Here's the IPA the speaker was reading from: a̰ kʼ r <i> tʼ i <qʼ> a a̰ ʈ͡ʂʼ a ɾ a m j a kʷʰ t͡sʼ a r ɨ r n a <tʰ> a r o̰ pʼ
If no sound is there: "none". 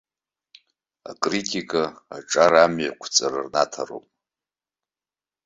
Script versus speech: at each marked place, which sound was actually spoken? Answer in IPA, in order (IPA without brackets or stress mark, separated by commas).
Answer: i, kʼ, tʰ